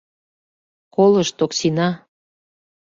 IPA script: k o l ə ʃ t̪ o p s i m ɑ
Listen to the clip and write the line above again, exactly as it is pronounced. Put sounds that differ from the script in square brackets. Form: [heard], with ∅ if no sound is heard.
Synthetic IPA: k o l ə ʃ t̪ o [k] s i [n] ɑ

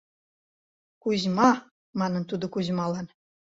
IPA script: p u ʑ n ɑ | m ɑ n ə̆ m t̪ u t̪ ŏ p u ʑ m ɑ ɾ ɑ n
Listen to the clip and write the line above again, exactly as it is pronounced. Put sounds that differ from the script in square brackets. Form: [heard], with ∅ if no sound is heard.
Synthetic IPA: [k] u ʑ [m] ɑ | m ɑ n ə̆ [n] t̪ u [d̪] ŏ [k] u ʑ m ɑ [l] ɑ n

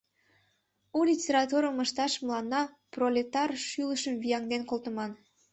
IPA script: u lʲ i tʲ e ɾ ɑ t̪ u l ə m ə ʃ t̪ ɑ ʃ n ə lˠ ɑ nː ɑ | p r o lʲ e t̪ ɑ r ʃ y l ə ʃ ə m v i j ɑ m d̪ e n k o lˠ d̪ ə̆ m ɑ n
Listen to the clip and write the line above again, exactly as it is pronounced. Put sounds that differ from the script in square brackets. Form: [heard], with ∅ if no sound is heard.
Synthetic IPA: u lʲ i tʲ e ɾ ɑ t̪ u [ɾ] ə m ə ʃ t̪ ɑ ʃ [m] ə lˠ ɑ nː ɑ | p r o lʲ e t̪ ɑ r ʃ y l ə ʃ ə m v i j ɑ [ŋ] d̪ e n k o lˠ [t̪] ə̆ m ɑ n

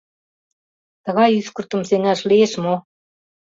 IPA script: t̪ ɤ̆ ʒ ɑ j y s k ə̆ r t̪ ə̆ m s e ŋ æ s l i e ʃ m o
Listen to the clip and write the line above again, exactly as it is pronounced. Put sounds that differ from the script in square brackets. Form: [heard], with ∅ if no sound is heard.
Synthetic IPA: t̪ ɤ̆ [ɣ] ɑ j y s k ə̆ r t̪ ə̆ m s e ŋ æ [ʃ] l i e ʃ m o

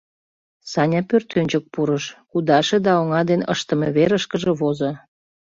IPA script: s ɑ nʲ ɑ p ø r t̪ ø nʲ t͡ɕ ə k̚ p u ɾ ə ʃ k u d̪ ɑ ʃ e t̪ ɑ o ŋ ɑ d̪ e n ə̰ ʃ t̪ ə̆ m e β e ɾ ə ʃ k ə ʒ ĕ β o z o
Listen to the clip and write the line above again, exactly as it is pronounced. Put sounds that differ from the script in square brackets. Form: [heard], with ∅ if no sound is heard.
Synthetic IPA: s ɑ nʲ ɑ p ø r t̪ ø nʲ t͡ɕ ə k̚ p u ɾ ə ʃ k u d̪ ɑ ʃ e [d̪] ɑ o ŋ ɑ d̪ e n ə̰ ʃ t̪ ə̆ m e β e ɾ ə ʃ k ə ʒ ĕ β o z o

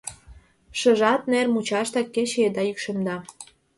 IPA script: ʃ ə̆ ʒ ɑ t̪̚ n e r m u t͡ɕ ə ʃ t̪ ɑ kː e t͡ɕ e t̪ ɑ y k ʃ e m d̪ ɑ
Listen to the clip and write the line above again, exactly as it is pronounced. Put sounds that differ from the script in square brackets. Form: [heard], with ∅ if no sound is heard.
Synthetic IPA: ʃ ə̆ ʒ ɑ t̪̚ n e r m u t͡ɕ [ɑ] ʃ t̪ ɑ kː e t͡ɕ e [d̪] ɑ y k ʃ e m d̪ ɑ

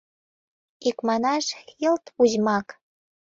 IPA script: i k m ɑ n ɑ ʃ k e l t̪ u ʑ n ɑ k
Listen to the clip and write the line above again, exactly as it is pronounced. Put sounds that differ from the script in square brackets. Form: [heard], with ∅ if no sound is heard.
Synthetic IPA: i k m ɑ n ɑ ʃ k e l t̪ u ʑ [m] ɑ k

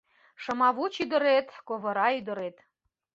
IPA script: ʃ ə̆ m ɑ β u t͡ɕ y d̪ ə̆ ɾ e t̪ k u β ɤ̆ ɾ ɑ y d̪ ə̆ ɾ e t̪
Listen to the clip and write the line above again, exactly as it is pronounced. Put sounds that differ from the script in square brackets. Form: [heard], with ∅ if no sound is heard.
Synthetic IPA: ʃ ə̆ m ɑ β u t͡ɕ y d̪ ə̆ ɾ e t̪ k [o] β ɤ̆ ɾ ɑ y d̪ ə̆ ɾ e t̪

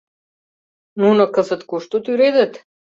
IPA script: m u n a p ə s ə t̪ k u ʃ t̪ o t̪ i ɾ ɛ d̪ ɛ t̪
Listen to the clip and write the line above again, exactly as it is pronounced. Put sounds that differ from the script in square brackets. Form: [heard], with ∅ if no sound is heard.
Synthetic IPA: [n] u n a [k] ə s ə t̪ k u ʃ t̪ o t̪ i ɾ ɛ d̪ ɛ t̪

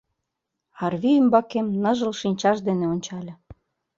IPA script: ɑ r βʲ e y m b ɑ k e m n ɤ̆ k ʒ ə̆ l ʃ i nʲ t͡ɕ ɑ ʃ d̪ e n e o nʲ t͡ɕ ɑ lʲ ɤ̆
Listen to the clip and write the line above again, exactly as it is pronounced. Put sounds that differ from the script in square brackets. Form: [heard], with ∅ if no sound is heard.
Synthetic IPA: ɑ r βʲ [i] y m b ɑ k e m n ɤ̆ [∅] ʒ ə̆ l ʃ i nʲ t͡ɕ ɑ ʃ d̪ e n e o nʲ t͡ɕ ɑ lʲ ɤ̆

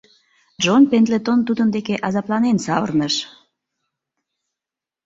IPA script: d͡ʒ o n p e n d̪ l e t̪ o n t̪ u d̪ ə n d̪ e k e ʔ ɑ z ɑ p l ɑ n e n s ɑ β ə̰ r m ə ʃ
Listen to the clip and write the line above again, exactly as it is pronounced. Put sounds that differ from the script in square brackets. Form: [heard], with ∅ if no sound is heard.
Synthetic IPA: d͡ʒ o n p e n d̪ l e t̪ o n t̪ u d̪ ə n d̪ e k e ʔ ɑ z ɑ p l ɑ n e n s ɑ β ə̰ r [n] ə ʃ

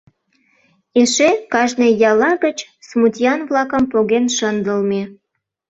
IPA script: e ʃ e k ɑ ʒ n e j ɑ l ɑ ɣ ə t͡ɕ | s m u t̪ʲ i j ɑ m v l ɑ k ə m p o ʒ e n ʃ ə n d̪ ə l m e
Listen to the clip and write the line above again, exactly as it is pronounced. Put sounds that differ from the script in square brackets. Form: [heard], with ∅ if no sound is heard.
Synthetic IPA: e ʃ e k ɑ ʒ n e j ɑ l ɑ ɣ ə t͡ɕ | s m u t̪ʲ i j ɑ [n] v l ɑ k ə m p o [ɣ] e n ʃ ə n d̪ ə l m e

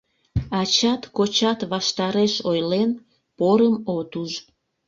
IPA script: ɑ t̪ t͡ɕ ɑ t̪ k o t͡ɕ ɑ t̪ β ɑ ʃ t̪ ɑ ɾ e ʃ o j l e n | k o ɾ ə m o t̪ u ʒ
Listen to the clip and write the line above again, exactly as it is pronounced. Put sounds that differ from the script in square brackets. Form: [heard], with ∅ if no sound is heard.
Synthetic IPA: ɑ [∅] t͡ɕ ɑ t̪ k o t͡ɕ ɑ t̪ β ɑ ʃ t̪ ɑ ɾ e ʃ o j l e n | [p] o ɾ ə m o t̪ u ʒ

